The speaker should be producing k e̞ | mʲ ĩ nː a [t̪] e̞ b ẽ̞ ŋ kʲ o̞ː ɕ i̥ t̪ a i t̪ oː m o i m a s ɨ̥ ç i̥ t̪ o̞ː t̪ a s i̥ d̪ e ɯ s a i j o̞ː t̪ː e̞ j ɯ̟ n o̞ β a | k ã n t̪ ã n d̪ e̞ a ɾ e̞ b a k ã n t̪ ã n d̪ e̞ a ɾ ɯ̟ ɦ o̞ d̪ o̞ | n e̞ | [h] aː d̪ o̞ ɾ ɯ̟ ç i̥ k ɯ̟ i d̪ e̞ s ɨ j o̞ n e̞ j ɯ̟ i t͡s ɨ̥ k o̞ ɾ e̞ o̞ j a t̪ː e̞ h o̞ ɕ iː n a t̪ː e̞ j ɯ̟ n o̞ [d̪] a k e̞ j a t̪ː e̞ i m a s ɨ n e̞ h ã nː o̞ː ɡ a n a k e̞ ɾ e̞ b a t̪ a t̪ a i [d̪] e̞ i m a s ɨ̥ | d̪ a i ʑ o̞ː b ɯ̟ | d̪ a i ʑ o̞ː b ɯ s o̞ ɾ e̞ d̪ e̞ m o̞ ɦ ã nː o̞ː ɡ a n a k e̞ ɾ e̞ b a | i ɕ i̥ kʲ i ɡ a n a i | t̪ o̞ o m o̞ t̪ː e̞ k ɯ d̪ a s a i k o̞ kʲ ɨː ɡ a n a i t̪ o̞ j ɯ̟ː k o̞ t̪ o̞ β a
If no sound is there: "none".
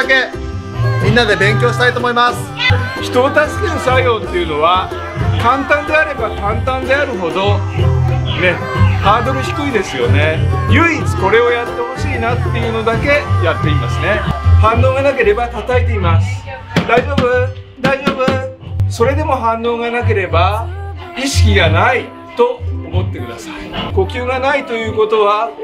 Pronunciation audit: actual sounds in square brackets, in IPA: d̪, h, d̪, t̪

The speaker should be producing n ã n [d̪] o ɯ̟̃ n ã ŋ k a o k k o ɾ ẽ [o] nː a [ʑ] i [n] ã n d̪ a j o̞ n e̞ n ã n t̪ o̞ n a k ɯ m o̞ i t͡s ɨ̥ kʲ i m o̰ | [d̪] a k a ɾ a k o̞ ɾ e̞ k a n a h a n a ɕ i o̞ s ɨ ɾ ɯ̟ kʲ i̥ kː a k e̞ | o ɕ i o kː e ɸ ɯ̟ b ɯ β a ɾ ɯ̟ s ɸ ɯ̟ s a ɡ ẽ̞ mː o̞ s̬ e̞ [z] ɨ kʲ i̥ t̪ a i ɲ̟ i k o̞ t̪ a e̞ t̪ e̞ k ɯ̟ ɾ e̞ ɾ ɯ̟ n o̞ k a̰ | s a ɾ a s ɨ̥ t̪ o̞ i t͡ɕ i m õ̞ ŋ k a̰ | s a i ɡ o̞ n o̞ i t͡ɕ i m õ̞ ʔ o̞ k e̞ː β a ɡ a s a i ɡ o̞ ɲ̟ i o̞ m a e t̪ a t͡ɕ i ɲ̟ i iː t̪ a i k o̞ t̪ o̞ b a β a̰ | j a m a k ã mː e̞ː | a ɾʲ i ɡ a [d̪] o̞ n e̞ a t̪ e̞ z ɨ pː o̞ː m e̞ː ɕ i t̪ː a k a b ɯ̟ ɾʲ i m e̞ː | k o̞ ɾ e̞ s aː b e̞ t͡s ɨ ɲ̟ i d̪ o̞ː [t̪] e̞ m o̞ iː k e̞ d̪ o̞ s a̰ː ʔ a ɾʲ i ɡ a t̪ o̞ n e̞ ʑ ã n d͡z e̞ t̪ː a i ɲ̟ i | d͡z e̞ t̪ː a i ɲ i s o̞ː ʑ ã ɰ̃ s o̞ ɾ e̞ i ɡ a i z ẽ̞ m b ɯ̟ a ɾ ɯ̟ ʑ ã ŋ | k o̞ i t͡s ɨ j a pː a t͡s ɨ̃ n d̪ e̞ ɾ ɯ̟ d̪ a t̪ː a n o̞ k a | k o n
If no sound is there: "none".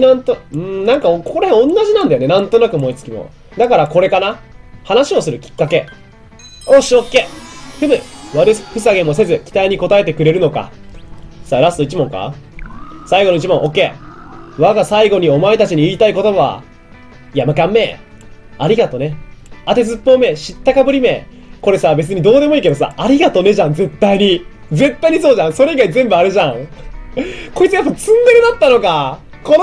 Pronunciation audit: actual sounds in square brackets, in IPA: t̪, õ, ʑ, n, d̪, z, t̪, d̪

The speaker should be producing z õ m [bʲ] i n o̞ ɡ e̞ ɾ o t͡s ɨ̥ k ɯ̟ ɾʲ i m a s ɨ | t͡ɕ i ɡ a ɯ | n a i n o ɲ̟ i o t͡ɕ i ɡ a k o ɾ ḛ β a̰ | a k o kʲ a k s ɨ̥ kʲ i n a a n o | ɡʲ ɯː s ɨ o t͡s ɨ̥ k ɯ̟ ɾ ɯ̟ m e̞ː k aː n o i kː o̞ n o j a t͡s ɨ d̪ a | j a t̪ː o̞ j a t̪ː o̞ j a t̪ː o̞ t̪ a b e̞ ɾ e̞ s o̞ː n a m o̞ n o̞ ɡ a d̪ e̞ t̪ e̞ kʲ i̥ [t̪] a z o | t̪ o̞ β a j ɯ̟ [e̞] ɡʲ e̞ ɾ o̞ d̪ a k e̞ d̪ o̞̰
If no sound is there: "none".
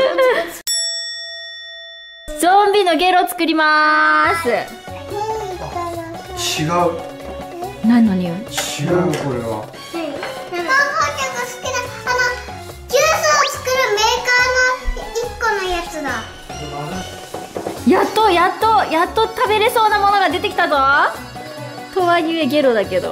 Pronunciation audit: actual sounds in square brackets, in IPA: bʲ, t̪, e̞

